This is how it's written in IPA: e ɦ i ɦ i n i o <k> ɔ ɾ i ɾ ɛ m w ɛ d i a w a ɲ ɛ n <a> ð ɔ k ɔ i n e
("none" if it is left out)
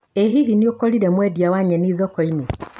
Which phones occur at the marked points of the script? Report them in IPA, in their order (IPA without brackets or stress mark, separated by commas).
k, i